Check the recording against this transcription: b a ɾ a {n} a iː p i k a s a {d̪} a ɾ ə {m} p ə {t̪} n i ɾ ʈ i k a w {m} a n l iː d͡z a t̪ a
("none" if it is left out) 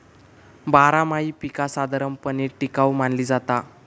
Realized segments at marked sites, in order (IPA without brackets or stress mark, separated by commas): m, d̪, m, none, m